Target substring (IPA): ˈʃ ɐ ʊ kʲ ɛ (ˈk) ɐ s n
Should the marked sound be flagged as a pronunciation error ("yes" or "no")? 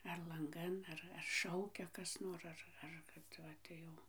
no